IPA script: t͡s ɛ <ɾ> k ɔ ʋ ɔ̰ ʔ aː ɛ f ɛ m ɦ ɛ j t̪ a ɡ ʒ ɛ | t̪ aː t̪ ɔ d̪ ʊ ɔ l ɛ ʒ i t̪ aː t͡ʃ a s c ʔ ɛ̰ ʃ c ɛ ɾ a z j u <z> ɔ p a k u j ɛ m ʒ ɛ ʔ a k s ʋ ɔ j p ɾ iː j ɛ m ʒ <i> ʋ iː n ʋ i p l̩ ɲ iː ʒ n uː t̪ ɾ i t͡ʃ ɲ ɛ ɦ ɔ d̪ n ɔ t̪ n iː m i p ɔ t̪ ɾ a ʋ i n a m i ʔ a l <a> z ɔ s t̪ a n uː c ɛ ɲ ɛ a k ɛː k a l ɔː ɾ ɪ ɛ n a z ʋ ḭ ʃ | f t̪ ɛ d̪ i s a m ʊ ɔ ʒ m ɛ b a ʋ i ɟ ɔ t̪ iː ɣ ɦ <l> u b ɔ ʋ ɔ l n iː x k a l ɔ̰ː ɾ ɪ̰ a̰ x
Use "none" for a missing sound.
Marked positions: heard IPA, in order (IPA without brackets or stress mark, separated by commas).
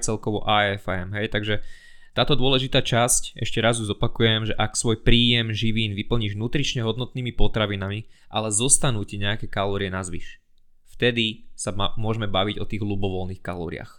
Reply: l, z, i, ɛ, l